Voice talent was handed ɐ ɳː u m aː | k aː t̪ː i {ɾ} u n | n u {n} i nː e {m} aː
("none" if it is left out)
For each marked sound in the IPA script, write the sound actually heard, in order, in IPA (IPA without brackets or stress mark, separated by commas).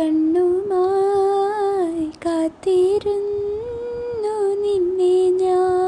ɾ, n, ɲ